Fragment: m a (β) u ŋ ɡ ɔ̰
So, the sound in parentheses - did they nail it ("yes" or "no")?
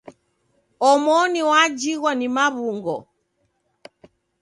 yes